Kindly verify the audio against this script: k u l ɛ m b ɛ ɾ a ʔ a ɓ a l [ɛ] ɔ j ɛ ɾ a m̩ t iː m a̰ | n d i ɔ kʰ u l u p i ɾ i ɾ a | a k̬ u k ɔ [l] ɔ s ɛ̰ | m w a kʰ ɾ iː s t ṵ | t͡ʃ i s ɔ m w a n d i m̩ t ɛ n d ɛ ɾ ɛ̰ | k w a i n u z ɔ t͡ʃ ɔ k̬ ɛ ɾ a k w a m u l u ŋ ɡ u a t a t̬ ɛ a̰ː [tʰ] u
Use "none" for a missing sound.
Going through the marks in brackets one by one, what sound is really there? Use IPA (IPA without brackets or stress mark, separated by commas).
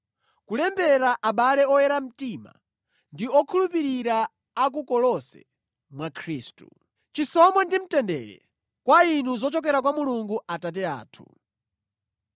ɛ, l, tʰ